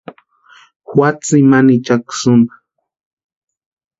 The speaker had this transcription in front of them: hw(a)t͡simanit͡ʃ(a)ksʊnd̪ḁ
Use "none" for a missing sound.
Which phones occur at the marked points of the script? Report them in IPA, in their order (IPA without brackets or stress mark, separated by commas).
a, a